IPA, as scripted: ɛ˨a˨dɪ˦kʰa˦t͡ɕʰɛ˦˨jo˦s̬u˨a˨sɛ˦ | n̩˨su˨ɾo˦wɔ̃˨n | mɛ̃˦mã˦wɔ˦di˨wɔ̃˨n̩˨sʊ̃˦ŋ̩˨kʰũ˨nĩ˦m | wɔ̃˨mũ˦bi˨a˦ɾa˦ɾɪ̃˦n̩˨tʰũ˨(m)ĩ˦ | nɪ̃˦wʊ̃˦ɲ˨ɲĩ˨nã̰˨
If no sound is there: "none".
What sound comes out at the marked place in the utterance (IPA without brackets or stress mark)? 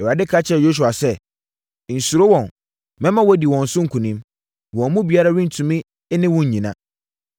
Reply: m